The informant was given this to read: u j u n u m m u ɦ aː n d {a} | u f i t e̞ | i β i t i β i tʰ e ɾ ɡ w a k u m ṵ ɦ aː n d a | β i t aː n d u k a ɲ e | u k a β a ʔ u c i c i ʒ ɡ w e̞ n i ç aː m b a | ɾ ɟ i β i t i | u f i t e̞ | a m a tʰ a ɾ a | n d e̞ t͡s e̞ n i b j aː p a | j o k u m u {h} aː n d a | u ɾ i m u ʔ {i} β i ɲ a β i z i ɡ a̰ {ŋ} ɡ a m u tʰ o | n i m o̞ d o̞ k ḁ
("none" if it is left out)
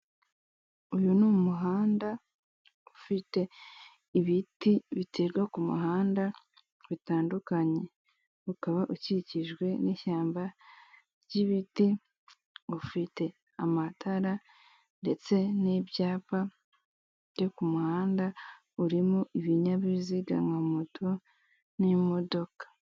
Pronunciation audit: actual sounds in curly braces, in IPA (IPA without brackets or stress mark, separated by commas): a, h, i, ŋ